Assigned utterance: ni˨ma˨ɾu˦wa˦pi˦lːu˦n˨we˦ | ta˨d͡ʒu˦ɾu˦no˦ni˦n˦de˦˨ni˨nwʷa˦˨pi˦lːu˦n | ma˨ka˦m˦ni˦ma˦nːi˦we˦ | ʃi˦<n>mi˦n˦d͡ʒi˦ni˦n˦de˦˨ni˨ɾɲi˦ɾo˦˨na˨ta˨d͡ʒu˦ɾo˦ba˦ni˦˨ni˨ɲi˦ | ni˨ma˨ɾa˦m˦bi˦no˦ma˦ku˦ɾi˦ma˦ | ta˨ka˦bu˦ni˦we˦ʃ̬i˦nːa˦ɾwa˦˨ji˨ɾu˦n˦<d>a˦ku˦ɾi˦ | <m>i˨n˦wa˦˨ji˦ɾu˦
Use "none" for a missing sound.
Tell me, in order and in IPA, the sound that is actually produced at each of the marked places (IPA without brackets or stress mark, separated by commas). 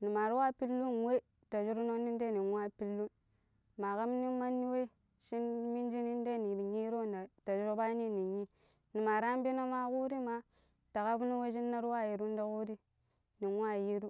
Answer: n, d, n